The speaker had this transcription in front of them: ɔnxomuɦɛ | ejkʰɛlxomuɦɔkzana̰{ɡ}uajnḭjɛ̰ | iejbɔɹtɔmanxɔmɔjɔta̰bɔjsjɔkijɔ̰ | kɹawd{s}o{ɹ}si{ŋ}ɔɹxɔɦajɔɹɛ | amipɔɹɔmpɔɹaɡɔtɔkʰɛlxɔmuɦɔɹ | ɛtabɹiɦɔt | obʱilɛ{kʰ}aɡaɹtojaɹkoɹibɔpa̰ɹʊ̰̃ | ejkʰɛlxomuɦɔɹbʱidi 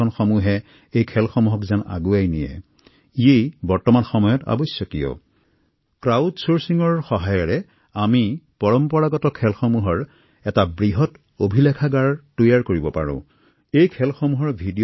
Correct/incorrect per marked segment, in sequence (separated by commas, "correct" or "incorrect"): correct, correct, correct, correct, correct